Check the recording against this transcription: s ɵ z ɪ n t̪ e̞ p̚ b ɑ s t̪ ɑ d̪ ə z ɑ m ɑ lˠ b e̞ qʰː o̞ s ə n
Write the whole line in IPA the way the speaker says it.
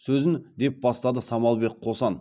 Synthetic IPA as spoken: s ɵ z ɪ n d̪ e̞ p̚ b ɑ s t̪ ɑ d̪ ə s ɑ m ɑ lˠ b e̞ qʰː o̞ s ɑ n